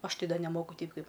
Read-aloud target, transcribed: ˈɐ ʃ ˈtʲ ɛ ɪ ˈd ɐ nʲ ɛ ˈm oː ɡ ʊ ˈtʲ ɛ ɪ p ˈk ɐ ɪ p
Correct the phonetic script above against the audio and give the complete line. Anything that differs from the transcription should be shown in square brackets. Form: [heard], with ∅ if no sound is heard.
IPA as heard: ˈɐ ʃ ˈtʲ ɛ ɪ ˈd ɐ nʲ ɛ ˈm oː [k] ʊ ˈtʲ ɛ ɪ p ˈk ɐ ɪ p

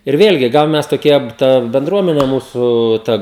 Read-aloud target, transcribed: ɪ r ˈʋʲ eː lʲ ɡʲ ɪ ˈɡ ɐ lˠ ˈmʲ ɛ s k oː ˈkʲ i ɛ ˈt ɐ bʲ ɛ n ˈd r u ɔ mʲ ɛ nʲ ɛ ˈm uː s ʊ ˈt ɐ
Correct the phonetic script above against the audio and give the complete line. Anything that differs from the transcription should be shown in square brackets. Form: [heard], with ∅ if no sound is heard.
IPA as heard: ɪ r ˈʋʲ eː lʲ ɡʲ ɪ ˈɡ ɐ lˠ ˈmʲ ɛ s [t] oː ˈkʲ i ɛ ˈt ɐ bʲ ɛ n ˈd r u ɔ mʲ ɛ nʲ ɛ ˈm uː s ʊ ˈt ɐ

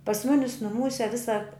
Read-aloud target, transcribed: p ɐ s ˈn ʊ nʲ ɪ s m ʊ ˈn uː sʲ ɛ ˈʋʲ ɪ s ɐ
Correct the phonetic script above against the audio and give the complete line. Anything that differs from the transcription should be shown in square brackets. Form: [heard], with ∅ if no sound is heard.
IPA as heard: p ɐ s [ˈm] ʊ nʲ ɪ s [n] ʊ [ˈm] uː sʲ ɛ ˈʋʲ ɪ s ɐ

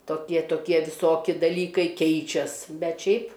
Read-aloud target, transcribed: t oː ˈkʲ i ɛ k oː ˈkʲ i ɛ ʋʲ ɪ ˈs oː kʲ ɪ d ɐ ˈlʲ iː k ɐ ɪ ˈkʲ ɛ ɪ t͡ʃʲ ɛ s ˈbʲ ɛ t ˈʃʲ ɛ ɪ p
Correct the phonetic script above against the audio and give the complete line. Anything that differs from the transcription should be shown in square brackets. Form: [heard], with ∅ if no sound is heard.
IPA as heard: t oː ˈkʲ i ɛ [t] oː ˈkʲ i ɛ ʋʲ ɪ ˈs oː kʲ ɪ d ɐ ˈlʲ iː k ɐ ɪ ˈkʲ ɛ ɪ t͡ʃʲ ɛ s ˈbʲ ɛ t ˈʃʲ ɛ ɪ p

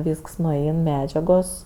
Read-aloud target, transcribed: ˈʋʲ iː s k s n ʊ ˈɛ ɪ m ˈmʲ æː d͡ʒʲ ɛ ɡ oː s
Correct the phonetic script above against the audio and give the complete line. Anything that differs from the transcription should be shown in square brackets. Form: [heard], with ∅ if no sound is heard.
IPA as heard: ˈʋʲ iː s k s n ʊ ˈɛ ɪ [n] ˈmʲ æː d͡ʒʲ ɛ ɡ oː s

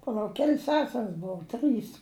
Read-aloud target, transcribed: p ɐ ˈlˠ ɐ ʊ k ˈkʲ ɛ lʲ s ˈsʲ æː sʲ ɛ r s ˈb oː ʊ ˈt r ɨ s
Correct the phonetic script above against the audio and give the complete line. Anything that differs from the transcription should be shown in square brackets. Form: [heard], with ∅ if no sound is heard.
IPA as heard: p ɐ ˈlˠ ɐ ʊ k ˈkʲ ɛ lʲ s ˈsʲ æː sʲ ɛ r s ˈb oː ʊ ˈt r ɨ s

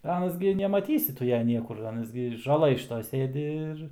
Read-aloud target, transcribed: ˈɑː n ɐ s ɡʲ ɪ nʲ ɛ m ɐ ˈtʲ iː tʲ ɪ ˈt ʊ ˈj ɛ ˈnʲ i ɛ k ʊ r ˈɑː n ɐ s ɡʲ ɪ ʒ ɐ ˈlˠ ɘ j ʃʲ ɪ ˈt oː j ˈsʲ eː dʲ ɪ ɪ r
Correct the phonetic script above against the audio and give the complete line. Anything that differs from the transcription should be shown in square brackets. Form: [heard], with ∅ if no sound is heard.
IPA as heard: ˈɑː n ɐ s ɡʲ ɪ nʲ ɛ m ɐ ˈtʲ iː [sʲ] ɪ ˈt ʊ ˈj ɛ ˈnʲ i ɛ k ʊ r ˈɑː n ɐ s ɡʲ ɪ ʒ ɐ ˈlˠ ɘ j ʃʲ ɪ ˈt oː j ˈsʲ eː dʲ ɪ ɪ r

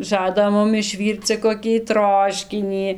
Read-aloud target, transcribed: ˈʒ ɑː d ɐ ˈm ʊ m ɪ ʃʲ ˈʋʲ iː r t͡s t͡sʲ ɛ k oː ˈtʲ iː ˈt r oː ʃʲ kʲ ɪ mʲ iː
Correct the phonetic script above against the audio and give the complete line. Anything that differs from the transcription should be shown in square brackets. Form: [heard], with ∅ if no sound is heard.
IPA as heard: ˈʒ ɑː d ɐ ˈm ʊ m ɪ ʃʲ ˈʋʲ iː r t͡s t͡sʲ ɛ k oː [ˈkʲ] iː ˈt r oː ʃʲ kʲ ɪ [nʲ] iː

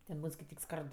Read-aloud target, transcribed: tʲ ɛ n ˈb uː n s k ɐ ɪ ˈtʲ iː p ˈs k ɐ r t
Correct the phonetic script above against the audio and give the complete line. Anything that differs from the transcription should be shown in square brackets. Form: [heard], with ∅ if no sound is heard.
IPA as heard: tʲ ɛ n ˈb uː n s k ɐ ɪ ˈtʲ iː [k] ˈs k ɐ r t

